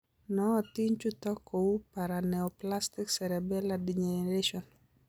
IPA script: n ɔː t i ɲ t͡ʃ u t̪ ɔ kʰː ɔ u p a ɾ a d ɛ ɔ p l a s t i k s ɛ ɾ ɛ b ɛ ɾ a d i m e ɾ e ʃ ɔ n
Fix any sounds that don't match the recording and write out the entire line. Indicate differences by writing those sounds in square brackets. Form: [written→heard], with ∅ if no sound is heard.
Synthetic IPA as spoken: n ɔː t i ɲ t͡ʃ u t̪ ɔ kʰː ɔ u p a ɾ a [d→n] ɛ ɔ p l a s t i k s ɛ ɾ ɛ b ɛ [ɾ→l] a d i [m→ɲ] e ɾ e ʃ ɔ n

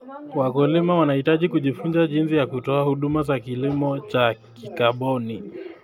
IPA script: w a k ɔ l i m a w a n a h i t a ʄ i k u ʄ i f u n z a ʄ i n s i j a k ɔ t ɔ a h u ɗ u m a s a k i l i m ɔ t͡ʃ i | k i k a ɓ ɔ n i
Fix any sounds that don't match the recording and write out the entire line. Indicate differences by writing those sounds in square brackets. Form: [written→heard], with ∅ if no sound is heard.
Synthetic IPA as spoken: w a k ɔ l i m a w a n a h i t a ʄ i k u ʄ i f u n z a ʄ i n s i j a k [ɔ→u] t ɔ a h u ɗ u m a [s→z] a k i l i m ɔ t͡ʃ [i→a] | k i k a ɓ ɔ n i

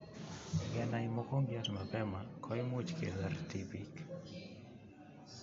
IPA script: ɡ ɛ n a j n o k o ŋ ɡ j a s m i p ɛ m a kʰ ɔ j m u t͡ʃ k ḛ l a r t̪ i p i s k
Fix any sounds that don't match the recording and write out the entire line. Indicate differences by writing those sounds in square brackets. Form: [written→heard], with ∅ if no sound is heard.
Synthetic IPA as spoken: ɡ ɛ n a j [n→m] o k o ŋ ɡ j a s m [i→a] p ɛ m a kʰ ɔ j m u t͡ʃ k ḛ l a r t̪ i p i [s→∅] k

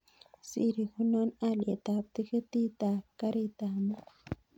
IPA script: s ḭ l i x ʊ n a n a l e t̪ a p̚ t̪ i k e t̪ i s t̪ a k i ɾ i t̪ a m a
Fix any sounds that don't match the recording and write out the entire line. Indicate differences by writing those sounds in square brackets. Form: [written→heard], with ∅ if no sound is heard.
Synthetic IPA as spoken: s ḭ [l→ɾ] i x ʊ n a n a l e t̪ a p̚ t̪ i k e t̪ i [s→∅] t̪ a k [i→a] ɾ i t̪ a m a

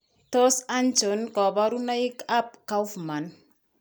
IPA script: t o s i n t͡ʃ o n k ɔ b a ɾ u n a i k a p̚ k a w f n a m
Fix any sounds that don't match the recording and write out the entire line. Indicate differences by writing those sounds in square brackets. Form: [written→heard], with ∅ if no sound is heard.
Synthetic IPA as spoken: t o s [i→a] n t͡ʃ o n k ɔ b a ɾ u n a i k a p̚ k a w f [n→m] a [m→n]

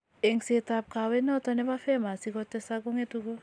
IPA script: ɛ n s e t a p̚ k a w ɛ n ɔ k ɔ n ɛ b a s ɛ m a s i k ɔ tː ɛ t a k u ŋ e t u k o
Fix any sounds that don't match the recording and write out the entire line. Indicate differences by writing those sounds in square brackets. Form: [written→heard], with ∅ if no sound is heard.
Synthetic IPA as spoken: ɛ [n→ŋ] s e t a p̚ k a w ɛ n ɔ [k→t] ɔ n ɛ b a [s→f] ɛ m a s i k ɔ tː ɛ [t→s] a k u ŋ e t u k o

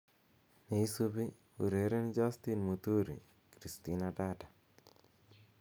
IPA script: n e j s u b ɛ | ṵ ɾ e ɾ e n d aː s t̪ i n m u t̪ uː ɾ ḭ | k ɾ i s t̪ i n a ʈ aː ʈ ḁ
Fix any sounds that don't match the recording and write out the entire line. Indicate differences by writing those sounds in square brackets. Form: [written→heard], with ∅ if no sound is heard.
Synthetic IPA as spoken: n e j s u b [ɛ→i] | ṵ ɾ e ɾ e n [d→d͡ʒ] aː s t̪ i n m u t̪ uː ɾ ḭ | k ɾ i s t̪ i n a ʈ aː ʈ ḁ

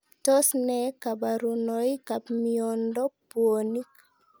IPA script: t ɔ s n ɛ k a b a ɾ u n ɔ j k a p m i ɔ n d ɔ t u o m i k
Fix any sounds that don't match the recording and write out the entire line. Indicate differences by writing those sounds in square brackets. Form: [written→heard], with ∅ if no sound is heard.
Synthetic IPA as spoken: t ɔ s n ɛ k a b a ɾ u n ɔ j k a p m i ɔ n d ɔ [t→p] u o [m→n] i k

